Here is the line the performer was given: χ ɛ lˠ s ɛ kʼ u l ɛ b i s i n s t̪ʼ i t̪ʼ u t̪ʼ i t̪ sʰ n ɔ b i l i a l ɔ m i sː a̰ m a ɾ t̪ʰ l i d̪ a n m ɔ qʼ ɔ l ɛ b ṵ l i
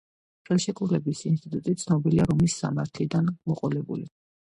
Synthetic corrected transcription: χ ɛ lˠ ʃ ɛ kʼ u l ɛ b i s i n s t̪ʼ i t̪ʼ u t̪ʼ i t̪ sʰ n ɔ b i l i a ɾ ɔ m i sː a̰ m a ɾ t̪ʰ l i d̪ a n m ɔ qʼ ɔ l ɛ b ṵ l i